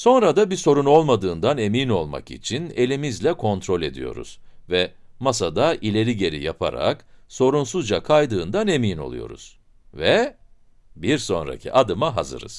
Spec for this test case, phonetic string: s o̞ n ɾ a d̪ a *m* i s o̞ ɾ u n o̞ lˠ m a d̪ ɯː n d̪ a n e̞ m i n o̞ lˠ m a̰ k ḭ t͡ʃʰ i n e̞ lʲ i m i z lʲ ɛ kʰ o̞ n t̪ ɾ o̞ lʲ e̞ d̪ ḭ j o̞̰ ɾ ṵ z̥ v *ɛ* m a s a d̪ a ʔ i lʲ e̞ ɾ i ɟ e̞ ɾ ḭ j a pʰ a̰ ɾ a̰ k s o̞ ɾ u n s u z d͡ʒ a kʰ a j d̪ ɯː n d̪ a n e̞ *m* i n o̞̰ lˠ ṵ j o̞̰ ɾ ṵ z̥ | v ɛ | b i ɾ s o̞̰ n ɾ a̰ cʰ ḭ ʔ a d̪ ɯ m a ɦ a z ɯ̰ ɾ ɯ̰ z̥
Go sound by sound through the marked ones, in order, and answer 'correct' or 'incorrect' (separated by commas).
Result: incorrect, correct, correct